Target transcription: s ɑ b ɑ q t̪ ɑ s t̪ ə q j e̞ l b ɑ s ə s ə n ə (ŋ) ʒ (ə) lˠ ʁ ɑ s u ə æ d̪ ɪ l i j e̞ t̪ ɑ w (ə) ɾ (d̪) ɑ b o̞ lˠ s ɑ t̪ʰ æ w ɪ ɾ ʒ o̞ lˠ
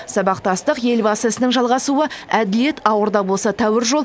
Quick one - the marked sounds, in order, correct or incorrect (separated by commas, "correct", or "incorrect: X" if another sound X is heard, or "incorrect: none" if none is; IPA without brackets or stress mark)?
correct, incorrect: ɑ, correct, correct